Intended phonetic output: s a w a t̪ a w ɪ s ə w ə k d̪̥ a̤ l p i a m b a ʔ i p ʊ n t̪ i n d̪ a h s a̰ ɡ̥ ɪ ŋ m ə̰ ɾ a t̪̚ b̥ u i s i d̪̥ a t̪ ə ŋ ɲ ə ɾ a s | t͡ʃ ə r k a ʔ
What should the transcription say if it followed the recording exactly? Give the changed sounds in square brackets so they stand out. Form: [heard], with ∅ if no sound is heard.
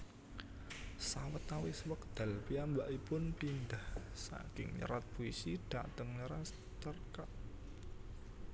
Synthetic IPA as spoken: s a w [ə] t̪ a w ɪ s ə w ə k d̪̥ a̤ l p i a m b a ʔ i p ʊ n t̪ i n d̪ a h s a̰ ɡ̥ ɪ ŋ [ɲ] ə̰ ɾ a t̪̚ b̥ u i s i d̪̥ a t̪ ə ŋ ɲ ə ɾ a s | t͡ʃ ə r k a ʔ